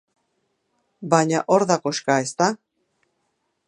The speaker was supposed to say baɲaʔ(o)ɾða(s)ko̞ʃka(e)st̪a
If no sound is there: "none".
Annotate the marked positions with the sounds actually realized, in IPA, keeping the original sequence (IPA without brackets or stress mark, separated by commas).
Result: o, none, e